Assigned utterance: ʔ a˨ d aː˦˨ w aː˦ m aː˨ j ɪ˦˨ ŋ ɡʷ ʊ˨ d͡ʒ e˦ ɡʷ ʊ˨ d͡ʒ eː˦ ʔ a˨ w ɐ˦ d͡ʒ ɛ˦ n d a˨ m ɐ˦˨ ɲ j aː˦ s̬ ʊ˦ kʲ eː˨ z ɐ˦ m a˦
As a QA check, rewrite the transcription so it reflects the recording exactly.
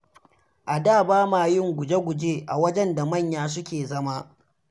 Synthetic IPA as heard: ʔ a˨ d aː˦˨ b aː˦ m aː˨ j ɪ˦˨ ŋ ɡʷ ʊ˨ d͡ʒ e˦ ɡʷ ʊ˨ d͡ʒ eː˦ ʔ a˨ w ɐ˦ d͡ʒ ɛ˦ n d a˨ m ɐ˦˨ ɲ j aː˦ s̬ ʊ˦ kʲ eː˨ z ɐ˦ m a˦